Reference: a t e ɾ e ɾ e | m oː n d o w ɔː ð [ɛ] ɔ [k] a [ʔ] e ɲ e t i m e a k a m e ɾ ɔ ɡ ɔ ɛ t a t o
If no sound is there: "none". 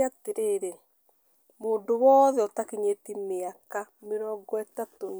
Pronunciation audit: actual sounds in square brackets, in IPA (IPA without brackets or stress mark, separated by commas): ɛ, t, k